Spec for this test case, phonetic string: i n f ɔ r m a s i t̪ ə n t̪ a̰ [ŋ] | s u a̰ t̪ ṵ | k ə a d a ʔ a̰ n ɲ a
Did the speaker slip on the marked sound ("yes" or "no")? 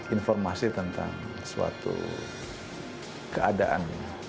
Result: no